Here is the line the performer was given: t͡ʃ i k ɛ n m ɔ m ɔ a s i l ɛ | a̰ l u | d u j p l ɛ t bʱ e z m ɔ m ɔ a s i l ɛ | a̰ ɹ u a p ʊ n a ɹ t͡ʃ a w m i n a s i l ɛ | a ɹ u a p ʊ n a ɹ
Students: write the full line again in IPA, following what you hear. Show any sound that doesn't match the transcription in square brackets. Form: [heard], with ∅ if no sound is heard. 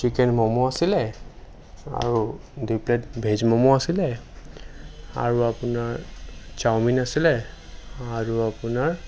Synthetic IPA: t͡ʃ i k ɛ n m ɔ m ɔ a s i l ɛ | a̰ [ɹ] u | d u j p l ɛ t bʱ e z m ɔ m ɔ a s i l ɛ | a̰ ɹ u a p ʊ n a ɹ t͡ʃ a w m i n a s i l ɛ | a ɹ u a p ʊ n a ɹ